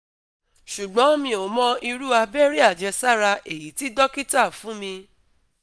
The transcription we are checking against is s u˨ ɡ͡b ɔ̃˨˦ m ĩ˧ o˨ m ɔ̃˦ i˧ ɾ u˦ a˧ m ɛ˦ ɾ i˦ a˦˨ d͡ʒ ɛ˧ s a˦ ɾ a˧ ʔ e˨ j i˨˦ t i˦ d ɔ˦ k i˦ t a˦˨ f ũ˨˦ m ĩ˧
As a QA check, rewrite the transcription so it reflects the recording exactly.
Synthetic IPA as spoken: ʃ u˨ ɡ͡b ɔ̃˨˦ m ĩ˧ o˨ m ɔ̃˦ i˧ ɾ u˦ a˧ b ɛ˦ ɾ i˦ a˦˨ d͡ʒ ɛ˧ s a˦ ɾ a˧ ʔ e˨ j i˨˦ t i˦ d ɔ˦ k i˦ t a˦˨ f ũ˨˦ m ĩ˧